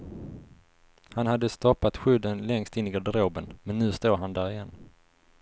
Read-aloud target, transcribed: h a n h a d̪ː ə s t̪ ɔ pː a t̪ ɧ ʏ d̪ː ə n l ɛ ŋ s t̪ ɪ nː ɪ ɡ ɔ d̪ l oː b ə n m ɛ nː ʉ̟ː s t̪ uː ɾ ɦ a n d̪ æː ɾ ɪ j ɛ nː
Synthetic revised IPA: h a n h a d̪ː ə s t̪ ɔ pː a t̪ ɧ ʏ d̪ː ə n l ɛ ŋ s t̪ ɪ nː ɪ ɡ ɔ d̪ ɾ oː b ə n m ɛ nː ʉ̟ː s t̪ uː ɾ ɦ a n d̪ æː ɾ ɪ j ɛ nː